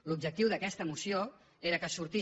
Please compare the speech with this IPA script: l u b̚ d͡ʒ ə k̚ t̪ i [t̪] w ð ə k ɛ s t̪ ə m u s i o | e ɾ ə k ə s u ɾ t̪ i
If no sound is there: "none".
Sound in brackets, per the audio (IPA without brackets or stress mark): none